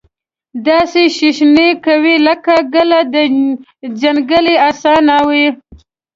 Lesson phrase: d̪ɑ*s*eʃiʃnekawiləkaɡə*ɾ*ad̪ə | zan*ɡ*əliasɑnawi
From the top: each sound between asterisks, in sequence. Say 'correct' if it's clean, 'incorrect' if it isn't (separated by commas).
correct, incorrect, correct